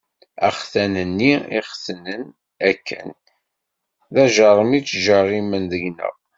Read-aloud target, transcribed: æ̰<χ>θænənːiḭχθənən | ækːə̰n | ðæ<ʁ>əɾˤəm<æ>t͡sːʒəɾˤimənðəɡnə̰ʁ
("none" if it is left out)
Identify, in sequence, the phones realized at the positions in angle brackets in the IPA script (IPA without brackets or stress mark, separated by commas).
χ, ʒ, i